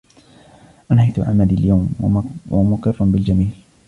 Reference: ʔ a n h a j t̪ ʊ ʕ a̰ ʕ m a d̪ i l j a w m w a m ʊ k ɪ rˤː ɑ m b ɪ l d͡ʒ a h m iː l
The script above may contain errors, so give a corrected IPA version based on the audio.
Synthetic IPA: ʔ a n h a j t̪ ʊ ʕ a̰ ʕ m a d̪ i l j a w m w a m ʊ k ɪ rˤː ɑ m b ɪ l d͡ʒ a m iː l